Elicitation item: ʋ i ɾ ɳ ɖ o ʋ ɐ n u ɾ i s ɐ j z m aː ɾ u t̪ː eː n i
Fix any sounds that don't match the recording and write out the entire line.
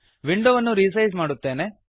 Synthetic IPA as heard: ʋ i ɳ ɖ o ʋ ɐ nː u ɾ i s ɐ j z m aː ɽ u t̪ː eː n e